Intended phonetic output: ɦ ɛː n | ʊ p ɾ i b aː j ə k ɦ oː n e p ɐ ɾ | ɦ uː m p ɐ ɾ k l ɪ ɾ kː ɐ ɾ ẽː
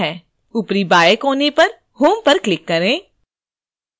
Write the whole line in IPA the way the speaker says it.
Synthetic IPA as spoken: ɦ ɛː | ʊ p ɾ i b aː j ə k ɦ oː n e p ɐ ɾ | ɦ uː m p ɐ ɾ k l ɪ kː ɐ ɾ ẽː